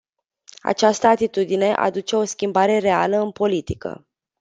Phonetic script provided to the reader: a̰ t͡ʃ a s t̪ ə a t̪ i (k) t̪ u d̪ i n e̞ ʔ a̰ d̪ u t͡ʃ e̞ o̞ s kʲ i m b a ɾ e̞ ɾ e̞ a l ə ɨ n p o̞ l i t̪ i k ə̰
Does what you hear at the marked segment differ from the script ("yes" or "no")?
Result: yes